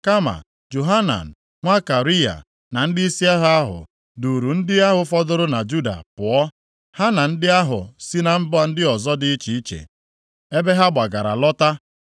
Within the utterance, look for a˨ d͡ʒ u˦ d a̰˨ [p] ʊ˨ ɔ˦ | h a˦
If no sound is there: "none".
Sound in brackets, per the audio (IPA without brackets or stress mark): p